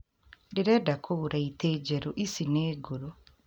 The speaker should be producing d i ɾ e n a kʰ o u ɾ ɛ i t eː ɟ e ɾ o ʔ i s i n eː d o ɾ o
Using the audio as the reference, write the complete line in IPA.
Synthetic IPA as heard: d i ɾ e d a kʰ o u ɾ a i t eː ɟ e ɾ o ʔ i s i n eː ɡ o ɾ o